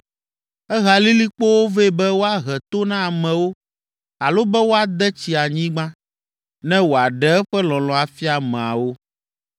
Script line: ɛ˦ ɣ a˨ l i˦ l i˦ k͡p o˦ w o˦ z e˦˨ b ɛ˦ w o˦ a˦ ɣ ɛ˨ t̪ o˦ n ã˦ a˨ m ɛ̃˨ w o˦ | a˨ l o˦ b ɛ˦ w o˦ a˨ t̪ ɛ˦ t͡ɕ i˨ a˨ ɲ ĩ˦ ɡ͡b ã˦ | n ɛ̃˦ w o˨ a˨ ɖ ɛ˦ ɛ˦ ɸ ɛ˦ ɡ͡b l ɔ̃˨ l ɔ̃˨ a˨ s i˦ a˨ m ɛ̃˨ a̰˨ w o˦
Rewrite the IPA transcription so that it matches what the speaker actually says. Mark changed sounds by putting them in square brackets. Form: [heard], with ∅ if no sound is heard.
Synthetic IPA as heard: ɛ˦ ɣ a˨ l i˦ l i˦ k͡p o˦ w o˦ [v] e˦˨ b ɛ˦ w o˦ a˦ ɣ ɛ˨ t̪ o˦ n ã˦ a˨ m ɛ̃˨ w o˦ | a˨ l o˦ b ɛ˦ w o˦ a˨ [d̪] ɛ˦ t͡ɕ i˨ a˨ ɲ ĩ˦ ɡ͡b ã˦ | n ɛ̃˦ w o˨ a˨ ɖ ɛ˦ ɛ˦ ɸ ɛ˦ [∅] l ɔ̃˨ l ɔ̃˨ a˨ [f] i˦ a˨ m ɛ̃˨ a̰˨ w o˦